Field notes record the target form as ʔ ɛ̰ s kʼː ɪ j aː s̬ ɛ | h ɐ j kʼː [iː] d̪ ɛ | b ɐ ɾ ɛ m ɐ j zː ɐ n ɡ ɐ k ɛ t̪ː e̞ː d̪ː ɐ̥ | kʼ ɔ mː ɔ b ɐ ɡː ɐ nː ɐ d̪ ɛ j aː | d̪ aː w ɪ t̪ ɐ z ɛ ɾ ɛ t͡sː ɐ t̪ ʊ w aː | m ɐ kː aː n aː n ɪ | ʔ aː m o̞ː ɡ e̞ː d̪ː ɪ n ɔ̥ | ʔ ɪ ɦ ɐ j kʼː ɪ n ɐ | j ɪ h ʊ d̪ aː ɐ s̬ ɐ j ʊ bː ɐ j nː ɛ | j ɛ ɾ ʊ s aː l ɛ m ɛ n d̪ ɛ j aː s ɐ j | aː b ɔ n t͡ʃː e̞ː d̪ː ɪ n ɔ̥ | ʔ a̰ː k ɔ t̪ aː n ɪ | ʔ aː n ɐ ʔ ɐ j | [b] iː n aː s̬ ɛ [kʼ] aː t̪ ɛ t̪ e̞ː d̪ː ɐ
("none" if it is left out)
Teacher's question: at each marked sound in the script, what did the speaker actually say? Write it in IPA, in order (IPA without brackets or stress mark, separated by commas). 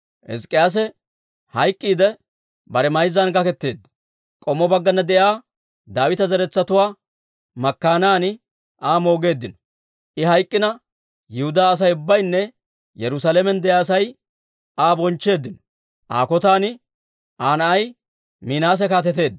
iː, m, k